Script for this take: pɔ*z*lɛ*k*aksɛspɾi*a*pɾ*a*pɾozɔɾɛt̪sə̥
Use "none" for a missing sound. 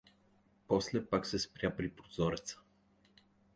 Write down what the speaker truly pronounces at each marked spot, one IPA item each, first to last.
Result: s, p, a, i

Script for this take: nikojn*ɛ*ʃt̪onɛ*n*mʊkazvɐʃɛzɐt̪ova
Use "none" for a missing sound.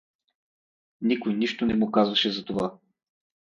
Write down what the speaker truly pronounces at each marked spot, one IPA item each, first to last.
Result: i, none

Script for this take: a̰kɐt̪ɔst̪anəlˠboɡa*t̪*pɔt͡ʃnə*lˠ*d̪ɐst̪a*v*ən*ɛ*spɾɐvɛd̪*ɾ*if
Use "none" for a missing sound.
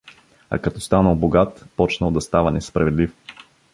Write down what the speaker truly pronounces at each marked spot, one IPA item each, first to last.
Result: t̪, lˠ, v, ɛ, l

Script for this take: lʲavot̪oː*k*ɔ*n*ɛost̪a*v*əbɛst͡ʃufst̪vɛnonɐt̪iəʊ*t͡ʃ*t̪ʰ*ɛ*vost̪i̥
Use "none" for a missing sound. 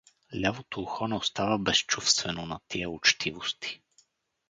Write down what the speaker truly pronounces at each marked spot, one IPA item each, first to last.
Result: x, n, v, t͡ʃ, i

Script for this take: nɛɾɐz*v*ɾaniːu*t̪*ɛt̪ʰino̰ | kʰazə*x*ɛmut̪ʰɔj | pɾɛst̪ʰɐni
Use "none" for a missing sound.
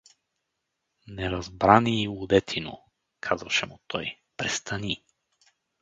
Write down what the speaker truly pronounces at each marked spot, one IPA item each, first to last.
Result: b, d̪, ʃ

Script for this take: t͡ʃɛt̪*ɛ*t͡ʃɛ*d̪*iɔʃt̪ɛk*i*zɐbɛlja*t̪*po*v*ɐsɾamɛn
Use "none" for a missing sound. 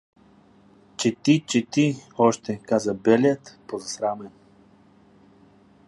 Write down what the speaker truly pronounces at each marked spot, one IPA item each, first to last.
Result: i, t̪, a, t̪, z

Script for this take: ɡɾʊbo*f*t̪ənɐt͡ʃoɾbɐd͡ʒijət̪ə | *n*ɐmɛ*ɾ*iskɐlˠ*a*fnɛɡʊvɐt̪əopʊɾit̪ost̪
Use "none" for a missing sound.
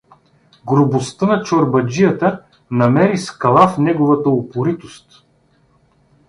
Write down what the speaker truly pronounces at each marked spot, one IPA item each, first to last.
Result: s, n, ɾ, a

